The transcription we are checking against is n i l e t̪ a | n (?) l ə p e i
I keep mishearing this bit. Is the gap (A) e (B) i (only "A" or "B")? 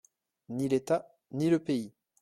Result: B